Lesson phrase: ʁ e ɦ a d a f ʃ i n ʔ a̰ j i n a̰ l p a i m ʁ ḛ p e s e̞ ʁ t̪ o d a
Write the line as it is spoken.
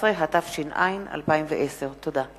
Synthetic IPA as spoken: ʁ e ɦ a t a f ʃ i n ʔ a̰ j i n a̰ l p a i m v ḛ ʔ e s e̞ ʁ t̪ o d a